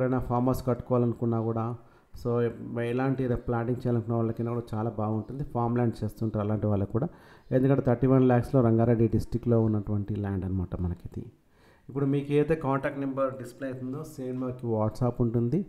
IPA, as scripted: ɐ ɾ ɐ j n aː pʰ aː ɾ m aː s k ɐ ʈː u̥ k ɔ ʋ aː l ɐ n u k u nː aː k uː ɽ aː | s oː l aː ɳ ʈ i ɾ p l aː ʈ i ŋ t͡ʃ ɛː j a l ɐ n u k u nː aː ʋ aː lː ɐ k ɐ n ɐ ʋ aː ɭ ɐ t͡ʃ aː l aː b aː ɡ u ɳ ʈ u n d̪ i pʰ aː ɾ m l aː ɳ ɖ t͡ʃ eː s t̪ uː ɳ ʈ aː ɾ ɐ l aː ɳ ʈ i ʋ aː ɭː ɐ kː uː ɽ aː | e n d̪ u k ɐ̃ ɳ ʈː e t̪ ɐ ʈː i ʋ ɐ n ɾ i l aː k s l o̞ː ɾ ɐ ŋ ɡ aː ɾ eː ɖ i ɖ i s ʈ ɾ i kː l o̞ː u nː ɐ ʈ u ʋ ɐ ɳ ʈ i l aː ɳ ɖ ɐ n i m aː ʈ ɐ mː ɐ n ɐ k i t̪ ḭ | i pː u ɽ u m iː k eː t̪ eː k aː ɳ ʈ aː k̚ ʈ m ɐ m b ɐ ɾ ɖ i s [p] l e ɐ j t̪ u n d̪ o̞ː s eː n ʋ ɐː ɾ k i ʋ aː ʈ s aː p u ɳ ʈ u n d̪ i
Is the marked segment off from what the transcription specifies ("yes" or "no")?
no